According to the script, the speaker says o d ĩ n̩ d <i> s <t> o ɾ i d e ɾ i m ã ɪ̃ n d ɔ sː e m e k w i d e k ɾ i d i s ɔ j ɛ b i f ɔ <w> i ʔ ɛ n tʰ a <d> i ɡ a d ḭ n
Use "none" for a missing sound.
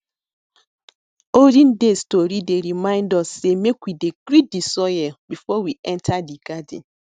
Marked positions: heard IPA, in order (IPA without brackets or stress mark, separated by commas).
e, t, w, d